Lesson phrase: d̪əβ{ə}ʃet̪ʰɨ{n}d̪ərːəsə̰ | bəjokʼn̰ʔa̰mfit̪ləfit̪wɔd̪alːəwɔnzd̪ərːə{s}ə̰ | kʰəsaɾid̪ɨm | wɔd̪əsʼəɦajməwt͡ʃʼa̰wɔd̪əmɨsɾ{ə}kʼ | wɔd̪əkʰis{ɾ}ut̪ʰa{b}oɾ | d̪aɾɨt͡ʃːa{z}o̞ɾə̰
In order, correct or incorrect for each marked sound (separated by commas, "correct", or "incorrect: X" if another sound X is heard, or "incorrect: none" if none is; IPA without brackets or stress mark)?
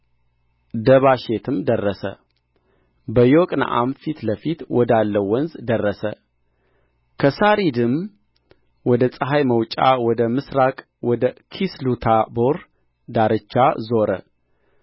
incorrect: a, incorrect: m, correct, incorrect: a, incorrect: l, correct, correct